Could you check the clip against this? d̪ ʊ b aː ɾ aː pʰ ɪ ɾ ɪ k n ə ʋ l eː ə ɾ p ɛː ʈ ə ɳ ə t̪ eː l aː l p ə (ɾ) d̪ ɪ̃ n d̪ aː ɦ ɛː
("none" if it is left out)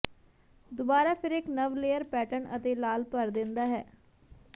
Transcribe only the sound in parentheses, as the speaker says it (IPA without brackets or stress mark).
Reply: ɾ